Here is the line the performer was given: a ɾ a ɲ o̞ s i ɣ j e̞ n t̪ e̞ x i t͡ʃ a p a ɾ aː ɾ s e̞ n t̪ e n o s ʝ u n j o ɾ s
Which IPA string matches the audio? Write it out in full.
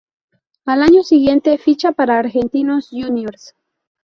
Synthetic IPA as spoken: a l a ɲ o̞ s i ɣ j e̞ n t̪ e̞ f i t͡ʃ a p a ɾ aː ɾ x e̞ n t̪ i n o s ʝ u n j o ɾ s